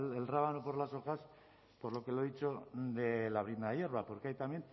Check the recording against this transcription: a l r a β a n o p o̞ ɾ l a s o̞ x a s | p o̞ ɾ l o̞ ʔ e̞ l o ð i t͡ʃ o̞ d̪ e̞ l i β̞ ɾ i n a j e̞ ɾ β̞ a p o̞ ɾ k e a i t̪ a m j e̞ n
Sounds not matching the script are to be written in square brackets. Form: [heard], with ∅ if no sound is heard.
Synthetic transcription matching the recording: [e] l r a β a n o p o̞ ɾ l a s o̞ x a s | p o̞ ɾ l o̞ [k] e̞ l o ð i t͡ʃ o̞ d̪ e̞ l [a] β̞ ɾ i n a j e̞ ɾ β̞ a p o̞ ɾ k e a [j] t̪ a m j e̞ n